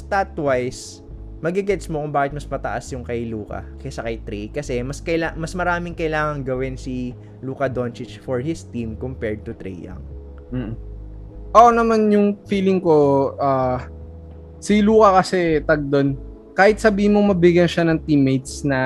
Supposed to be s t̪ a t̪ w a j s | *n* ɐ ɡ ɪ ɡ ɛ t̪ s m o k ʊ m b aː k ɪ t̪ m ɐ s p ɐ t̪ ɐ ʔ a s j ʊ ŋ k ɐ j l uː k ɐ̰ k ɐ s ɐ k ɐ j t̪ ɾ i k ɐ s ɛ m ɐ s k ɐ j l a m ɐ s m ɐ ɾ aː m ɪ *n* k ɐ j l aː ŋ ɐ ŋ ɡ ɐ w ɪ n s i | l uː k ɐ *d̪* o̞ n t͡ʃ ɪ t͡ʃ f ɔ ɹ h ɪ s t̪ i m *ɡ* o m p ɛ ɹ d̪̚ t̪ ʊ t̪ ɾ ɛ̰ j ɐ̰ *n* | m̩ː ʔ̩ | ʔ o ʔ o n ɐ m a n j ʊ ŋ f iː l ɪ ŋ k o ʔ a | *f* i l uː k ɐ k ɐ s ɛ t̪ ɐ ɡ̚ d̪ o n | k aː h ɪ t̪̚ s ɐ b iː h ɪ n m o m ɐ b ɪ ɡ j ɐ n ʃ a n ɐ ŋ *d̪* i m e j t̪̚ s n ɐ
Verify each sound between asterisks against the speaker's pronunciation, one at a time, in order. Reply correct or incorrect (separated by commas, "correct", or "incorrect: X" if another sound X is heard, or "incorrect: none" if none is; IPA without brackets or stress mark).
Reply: incorrect: m, incorrect: ŋ, correct, incorrect: k, incorrect: ŋ, incorrect: s, incorrect: t̪